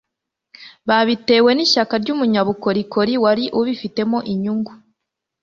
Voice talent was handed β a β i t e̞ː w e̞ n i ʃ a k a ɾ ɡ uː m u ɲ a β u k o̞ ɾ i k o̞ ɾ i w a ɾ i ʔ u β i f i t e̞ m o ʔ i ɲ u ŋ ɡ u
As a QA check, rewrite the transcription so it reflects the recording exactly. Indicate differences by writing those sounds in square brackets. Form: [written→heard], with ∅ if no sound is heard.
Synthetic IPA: β a β i t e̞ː w e̞ n i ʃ a k a ɾ [ɡ→ɟ] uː m u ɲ a β u k o̞ ɾ i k o̞ ɾ i w a ɾ i ʔ u β i f i t e̞ m o ʔ i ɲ u ŋ ɡ u